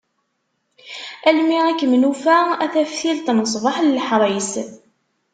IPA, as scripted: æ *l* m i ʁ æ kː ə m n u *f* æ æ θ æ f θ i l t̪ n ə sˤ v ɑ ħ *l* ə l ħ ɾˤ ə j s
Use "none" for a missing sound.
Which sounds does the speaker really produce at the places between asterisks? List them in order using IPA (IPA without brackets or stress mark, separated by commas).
l, f, l